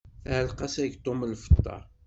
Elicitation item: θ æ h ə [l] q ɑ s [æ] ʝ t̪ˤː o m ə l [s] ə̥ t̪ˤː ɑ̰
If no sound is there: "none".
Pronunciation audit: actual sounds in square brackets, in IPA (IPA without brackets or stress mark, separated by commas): l, æ, f